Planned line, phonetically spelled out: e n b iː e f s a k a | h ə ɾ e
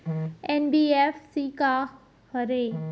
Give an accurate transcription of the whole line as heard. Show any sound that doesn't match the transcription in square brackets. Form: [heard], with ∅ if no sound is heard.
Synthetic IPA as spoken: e n b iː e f s [i] k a | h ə ɾ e

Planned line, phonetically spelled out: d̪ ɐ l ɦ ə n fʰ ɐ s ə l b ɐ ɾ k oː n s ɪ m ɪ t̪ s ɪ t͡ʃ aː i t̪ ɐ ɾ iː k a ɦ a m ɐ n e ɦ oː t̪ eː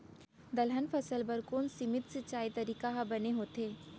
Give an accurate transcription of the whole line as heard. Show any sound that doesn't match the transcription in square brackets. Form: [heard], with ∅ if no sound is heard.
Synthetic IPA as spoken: d̪ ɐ l ɦ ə n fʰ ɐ s ə l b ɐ ɾ k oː n s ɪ m ɪ t̪ s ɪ t͡ʃ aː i t̪ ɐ ɾ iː k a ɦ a [b] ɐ n e ɦ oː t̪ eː

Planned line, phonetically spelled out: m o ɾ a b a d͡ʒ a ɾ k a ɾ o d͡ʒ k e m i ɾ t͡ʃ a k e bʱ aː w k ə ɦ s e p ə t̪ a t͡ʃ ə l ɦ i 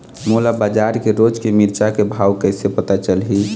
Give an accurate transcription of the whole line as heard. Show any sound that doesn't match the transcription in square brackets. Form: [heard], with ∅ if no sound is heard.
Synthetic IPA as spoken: m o [l] a b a d͡ʒ a ɾ k [e] ɾ o d͡ʒ k e m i ɾ t͡ʃ a k e bʱ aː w k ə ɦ s e p ə t̪ a t͡ʃ ə l ɦ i

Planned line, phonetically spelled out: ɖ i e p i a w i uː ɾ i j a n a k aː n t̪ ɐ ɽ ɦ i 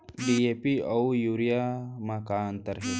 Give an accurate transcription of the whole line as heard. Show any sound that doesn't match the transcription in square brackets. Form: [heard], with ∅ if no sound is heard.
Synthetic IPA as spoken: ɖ i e p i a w [j] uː ɾ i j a [m] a k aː n t̪ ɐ [ɾ] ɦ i

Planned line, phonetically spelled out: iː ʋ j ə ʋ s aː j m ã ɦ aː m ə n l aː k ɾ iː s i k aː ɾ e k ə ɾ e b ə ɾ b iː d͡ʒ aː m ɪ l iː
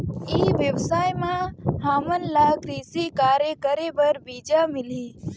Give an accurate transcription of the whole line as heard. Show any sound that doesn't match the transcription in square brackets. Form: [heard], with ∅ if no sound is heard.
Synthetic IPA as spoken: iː ʋ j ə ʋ s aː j m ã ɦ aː m ə n l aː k ɾ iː s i k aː ɾ e k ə ɾ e b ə ɾ b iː d͡ʒ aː m ɪ l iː

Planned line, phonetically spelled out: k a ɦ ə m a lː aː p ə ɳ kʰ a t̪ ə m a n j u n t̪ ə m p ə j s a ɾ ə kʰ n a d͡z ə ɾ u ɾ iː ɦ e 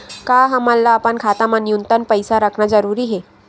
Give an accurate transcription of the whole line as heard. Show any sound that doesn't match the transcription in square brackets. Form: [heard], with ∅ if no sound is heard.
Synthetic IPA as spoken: k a ɦ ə m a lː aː p ə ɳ kʰ a t̪ [a] m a n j u n t̪ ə [n] p ə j s a ɾ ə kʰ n a d͡z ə ɾ u ɾ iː ɦ e

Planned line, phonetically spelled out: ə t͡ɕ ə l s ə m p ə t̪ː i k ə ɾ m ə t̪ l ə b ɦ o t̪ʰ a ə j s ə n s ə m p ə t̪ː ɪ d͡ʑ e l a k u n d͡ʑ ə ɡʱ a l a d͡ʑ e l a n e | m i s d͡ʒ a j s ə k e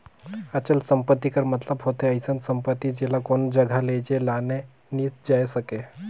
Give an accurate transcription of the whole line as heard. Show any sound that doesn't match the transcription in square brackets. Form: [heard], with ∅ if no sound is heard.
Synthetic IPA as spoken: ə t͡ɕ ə l s ə m p ə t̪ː i k ə ɾ m ə t̪ l ə b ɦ o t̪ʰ [e] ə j s ə n s ə m p ə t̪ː [i] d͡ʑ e l a k [o] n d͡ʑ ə ɡʱ a l [e] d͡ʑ e l a n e | [n] i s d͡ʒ a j s ə k e

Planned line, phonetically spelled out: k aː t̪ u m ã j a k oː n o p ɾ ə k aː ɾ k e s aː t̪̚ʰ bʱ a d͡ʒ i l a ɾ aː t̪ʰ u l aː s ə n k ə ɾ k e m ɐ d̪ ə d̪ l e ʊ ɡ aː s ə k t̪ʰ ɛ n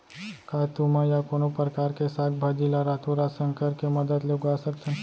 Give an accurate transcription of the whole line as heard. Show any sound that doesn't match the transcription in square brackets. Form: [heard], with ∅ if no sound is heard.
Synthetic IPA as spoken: k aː t̪ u m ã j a k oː n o p ɾ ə k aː ɾ k e s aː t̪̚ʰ bʱ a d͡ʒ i l a ɾ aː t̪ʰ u [ɾ] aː s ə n k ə ɾ k e m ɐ d̪ ə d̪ l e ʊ ɡ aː s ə k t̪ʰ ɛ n

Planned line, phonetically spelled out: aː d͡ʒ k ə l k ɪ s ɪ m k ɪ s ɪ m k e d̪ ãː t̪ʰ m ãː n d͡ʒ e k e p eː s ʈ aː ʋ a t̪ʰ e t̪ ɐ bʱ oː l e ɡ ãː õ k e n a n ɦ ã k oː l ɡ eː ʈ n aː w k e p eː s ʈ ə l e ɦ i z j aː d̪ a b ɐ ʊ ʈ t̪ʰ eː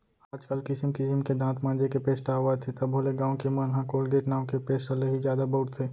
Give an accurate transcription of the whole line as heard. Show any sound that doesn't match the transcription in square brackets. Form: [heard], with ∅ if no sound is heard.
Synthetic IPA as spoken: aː d͡ʒ k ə l k ɪ s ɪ m k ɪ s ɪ m k e d̪ ãː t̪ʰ m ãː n d͡ʒ e k e p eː s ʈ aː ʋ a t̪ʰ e t̪ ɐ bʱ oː l e ɡ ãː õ k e [m] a n ɦ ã k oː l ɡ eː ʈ n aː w k e p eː s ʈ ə l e ɦ i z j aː d̪ a b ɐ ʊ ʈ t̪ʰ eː

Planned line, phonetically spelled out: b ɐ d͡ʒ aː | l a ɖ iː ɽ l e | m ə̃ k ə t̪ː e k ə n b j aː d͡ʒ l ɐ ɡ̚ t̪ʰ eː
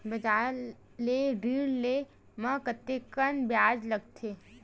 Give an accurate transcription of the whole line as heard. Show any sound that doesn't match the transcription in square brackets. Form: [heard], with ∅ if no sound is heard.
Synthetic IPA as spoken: b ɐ d͡ʒ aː | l [e] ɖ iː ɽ l e | m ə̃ k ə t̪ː e k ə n b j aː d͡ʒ l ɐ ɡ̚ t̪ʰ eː

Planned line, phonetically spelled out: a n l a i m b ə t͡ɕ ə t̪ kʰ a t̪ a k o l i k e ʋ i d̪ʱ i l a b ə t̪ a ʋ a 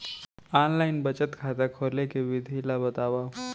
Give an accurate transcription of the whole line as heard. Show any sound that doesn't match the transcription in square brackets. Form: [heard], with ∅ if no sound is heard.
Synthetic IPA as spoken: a n l a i [n] b ə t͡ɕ ə t̪ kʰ a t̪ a [kʰ] o l [e] k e ʋ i d̪ʱ i l a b ə t̪ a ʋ a

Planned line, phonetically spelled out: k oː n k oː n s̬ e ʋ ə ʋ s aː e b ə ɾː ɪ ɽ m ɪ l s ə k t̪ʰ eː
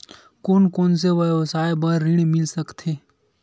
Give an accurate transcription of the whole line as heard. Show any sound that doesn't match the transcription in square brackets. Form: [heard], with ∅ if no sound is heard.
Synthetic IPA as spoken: k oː n k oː n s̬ e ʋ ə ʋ s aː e b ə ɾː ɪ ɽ m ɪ l s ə k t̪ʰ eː

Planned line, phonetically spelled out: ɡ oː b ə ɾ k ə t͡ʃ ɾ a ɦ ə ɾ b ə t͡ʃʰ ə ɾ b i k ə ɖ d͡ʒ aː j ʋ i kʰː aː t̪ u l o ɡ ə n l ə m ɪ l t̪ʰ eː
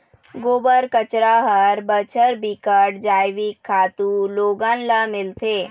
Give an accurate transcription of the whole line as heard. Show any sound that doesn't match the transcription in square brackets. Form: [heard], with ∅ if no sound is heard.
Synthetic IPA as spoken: ɡ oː b ə ɾ k ə t͡ʃ ɾ a ɦ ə ɾ b ə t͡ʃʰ ə ɾ b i k ə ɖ d͡ʒ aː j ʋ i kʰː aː t̪ u l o ɡ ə n l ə m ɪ l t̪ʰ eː

